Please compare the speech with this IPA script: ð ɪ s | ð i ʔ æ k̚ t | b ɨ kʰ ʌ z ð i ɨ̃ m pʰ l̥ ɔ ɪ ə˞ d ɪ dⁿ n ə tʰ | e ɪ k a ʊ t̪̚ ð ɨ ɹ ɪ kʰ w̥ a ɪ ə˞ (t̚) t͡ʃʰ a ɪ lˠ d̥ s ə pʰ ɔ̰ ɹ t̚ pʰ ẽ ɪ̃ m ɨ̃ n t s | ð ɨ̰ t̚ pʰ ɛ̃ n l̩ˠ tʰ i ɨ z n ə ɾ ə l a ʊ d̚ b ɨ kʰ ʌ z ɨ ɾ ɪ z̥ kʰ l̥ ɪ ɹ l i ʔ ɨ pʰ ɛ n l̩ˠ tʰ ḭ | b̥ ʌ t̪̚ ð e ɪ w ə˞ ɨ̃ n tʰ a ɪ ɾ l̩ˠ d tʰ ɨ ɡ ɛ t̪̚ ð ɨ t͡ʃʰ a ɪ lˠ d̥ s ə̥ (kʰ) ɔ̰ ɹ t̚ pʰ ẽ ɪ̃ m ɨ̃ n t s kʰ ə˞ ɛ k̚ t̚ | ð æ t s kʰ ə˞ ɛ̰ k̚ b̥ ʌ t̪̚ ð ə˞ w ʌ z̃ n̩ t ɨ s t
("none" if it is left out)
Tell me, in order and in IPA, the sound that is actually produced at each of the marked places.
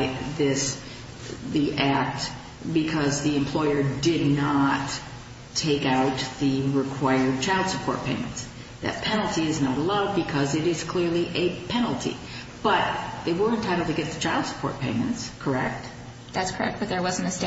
d̚, pʰ

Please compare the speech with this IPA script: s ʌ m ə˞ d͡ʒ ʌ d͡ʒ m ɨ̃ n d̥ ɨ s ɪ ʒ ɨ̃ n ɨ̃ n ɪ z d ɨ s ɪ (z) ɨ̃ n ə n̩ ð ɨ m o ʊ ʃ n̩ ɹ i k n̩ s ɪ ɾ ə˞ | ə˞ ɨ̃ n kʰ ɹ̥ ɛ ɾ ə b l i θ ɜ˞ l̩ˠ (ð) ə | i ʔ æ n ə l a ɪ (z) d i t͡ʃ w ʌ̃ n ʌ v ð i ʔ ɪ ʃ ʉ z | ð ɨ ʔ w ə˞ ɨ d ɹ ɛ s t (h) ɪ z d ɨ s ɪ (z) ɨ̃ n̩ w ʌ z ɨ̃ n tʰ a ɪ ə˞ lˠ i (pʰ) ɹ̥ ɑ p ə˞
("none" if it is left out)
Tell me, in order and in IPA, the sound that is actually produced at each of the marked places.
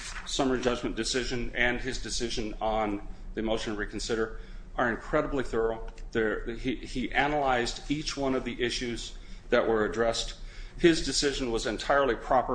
ʒ, ð, z, h, ʒ, pʰ

